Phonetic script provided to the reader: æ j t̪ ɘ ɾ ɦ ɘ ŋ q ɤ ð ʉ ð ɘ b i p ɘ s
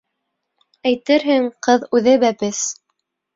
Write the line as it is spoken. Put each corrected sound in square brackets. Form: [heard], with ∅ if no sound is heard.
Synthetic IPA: æ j t̪ ɘ ɾ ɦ ɘ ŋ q ɤ ð ʉ ð ɘ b [æ] p ɘ s